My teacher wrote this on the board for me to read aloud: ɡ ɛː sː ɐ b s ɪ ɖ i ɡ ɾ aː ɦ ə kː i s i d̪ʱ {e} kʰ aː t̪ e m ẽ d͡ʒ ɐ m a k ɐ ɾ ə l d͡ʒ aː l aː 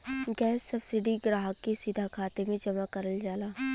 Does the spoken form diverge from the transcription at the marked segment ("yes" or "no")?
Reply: yes